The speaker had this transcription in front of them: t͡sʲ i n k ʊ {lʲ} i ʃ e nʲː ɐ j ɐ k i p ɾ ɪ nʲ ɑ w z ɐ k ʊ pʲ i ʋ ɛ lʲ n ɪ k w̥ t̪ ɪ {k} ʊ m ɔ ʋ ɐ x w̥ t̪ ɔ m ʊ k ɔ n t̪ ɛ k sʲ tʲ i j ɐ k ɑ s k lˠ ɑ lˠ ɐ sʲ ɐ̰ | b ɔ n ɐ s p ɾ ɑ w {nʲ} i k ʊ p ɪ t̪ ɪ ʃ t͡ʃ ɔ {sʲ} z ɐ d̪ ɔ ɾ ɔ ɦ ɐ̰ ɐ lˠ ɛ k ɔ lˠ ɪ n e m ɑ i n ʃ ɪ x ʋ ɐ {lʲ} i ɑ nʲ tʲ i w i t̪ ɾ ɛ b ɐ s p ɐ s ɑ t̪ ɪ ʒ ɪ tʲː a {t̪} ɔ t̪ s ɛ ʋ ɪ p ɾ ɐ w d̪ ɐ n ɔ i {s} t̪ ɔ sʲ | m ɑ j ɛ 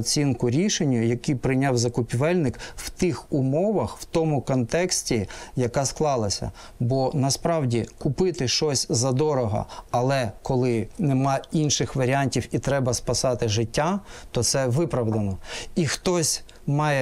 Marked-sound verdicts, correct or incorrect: incorrect, incorrect, incorrect, correct, incorrect, correct, incorrect

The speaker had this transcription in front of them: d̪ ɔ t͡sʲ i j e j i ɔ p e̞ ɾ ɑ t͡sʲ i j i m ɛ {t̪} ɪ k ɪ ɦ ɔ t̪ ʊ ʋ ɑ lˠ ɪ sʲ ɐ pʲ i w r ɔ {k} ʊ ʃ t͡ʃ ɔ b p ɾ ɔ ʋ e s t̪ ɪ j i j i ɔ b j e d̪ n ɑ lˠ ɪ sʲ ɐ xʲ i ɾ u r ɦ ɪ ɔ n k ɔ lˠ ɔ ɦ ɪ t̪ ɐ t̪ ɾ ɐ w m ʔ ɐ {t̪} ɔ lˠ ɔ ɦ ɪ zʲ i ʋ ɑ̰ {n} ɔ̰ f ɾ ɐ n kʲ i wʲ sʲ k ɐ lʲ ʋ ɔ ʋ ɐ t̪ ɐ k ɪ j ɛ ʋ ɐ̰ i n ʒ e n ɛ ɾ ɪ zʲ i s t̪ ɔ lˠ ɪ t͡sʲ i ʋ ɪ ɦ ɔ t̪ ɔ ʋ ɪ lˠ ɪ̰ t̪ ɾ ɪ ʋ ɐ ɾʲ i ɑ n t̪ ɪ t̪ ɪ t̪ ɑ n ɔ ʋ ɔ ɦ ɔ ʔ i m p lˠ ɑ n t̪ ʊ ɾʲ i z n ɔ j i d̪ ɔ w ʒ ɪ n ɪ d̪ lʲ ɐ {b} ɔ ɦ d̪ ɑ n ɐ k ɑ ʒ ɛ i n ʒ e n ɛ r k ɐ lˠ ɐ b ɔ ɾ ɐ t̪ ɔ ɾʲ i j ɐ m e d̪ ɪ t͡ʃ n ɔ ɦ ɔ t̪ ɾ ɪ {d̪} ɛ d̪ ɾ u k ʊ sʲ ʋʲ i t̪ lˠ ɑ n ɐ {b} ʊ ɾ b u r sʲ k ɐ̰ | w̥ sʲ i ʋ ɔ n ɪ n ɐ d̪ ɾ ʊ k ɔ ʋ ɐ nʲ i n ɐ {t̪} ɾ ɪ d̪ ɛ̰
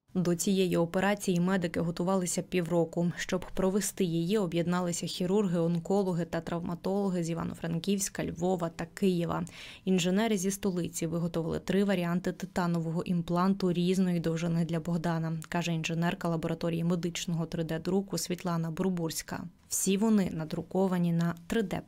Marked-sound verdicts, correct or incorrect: incorrect, correct, correct, correct, correct, correct, correct, correct

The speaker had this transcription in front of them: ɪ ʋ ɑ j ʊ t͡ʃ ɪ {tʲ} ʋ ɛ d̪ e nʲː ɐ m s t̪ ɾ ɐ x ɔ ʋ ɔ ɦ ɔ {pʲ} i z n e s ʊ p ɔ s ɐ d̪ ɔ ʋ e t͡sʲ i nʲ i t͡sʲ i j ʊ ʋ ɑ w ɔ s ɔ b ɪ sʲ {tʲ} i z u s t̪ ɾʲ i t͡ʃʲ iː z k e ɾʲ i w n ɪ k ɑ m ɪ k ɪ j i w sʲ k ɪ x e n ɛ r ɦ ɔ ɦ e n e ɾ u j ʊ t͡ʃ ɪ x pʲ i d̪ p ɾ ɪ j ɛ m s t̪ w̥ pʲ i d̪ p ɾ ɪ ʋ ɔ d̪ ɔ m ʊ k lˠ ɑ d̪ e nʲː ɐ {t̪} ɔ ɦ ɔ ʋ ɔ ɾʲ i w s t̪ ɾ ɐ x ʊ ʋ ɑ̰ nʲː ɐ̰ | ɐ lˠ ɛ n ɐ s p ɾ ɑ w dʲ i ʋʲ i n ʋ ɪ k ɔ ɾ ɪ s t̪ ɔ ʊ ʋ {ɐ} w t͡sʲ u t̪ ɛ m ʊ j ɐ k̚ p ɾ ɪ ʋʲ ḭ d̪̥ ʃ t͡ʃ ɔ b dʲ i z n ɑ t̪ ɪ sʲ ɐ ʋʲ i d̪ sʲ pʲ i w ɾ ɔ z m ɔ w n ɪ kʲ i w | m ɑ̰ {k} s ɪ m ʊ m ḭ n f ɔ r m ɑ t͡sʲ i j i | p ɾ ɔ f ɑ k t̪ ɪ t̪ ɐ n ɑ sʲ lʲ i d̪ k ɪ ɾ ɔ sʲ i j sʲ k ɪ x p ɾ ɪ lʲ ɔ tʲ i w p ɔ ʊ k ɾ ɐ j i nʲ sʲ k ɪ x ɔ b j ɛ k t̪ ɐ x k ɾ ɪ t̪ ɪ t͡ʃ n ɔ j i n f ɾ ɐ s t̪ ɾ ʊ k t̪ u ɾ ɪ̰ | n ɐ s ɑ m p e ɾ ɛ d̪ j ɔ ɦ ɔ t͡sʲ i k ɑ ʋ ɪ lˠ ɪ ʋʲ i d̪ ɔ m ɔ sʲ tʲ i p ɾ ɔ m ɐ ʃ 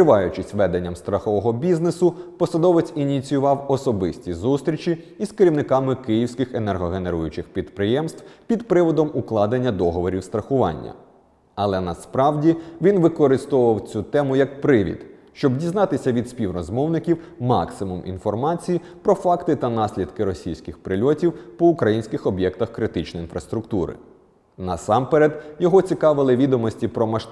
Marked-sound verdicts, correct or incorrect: incorrect, incorrect, correct, incorrect, correct, correct

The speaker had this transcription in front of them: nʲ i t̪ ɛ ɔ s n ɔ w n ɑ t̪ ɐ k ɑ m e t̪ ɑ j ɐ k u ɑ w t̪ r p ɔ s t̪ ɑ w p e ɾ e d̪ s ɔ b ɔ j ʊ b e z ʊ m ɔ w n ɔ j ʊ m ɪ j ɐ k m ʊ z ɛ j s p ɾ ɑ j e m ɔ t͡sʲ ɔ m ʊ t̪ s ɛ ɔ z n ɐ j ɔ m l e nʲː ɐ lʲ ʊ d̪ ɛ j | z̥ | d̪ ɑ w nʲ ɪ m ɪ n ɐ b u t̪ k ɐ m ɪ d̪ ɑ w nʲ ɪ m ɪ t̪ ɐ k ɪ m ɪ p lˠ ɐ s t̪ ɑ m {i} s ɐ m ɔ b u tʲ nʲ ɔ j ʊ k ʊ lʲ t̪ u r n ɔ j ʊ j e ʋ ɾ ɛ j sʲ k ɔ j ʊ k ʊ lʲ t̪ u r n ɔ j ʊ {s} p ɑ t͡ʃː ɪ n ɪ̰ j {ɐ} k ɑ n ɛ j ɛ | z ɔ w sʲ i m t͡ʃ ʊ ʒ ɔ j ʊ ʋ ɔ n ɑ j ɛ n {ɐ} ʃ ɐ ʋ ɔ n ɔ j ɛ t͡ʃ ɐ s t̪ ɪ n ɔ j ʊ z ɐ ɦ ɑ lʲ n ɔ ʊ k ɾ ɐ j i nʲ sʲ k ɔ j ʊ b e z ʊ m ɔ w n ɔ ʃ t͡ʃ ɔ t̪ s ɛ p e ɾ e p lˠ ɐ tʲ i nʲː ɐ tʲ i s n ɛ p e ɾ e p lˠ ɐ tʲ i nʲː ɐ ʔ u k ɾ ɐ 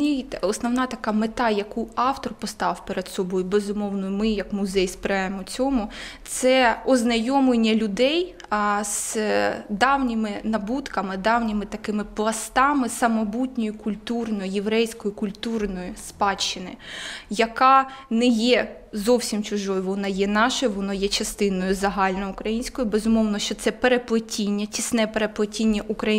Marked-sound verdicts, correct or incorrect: incorrect, correct, correct, incorrect

